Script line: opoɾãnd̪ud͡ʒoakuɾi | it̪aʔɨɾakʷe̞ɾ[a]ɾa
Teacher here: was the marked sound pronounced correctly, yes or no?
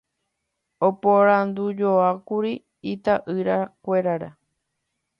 yes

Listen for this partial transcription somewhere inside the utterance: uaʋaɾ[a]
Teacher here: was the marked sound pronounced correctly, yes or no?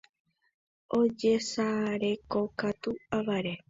no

